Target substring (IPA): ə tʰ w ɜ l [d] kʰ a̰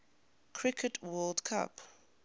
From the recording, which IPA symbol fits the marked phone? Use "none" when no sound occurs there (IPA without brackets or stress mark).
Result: d